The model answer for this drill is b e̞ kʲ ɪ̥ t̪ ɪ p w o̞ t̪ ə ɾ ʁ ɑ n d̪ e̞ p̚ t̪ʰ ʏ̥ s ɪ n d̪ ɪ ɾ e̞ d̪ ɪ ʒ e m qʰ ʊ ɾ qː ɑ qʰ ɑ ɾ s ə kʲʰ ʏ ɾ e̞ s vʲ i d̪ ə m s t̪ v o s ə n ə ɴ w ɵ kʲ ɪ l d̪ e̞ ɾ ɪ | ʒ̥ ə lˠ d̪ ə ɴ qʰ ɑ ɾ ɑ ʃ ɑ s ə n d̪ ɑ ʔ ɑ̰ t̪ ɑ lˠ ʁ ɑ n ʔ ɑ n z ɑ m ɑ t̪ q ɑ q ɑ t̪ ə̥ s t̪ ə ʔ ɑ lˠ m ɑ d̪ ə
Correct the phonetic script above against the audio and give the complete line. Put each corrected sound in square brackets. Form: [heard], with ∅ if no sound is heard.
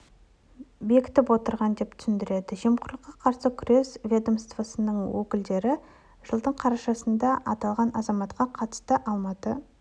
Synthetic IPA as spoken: b e̞ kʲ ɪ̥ t̪ ɪ p w o̞ t̪ ə ɾ ʁ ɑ n d̪ e̞ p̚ t̪ʰ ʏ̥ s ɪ n d̪ ɪ ɾ e̞ d̪ ɪ ʒ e m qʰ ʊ ɾ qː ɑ qʰ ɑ ɾ s ə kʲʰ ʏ ɾ e̞ s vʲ [e] d̪ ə m s t̪ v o s ə n ə ɴ w ɵ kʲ ɪ l d̪ e̞ ɾ ɪ | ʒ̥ ə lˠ d̪ ə ɴ qʰ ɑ ɾ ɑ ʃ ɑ s ə n d̪ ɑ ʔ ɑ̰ t̪ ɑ lˠ ʁ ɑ n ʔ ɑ [∅] z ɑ m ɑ t̪ q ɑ [qʰ] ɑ t̪ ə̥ s t̪ ə ʔ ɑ lˠ m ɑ [t̪] ə

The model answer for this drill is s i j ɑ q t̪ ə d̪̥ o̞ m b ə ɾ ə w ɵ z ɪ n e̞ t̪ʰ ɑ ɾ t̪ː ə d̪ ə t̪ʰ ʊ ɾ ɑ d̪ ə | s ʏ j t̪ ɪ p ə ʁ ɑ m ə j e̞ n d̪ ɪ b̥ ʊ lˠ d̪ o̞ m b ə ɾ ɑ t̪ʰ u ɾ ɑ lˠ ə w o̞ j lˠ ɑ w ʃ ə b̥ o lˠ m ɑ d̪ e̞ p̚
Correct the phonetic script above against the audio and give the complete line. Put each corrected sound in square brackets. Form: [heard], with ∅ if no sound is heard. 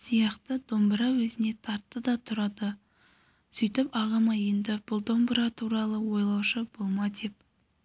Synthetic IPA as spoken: s i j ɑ q t̪ ə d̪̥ o̞ m b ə ɾ [ɑ] w ɵ z ɪ n e̞ t̪ʰ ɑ ɾ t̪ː ə d̪ [ɑ] t̪ʰ ʊ ɾ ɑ d̪ ə | s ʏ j t̪ ɪ p [ɑ] ʁ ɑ m [ɑ] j e̞ n d̪ ɪ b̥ ʊ lˠ d̪ o̞ m b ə ɾ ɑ t̪ʰ u ɾ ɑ lˠ ə w o̞ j lˠ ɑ w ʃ ə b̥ o lˠ m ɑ d̪ e̞ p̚

